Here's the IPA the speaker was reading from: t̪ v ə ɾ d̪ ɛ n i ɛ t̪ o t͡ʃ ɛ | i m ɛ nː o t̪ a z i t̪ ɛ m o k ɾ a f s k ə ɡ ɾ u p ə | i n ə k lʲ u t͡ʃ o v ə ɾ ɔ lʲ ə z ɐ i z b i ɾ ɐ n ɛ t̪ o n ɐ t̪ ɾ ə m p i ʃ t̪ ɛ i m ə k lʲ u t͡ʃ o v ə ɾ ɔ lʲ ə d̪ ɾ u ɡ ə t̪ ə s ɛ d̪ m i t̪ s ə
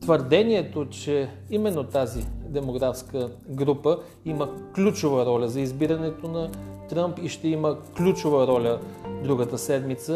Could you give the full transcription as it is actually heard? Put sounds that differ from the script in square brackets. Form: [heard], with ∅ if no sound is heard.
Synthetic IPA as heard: t̪ v ə ɾ d̪ ɛ n i ɛ t̪ o t͡ʃ ɛ | i m ɛ nː o t̪ a z i [d̪] ɛ m o [ɡ] ɾ a f s k ə ɡ ɾ u p ə | i [m] ə k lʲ u t͡ʃ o v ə ɾ ɔ lʲ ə z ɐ i z b i ɾ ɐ n ɛ t̪ o n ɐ t̪ ɾ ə m p i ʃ t̪ ɛ i m ə k lʲ u t͡ʃ o v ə ɾ ɔ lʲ ə d̪ ɾ u ɡ ə t̪ ə s ɛ d̪ m i t̪ s ə